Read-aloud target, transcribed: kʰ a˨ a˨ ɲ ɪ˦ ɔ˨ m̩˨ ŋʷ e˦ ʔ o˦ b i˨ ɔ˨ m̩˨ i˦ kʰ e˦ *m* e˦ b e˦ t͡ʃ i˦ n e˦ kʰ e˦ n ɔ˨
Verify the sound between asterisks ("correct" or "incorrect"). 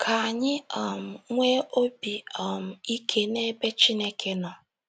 incorrect